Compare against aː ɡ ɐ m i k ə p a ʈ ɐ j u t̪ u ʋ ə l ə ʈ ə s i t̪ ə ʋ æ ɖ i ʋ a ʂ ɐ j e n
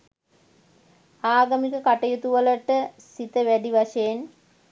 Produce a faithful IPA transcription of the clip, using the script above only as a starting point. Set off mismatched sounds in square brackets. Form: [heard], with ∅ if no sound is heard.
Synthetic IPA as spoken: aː ɡ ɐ m i k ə [k] a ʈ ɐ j u t̪ u ʋ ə l ə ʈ ə s i t̪ ə ʋ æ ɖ i ʋ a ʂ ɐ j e n